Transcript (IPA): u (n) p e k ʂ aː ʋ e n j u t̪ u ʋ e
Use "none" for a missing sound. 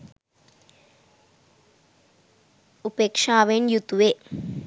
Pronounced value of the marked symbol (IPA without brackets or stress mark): none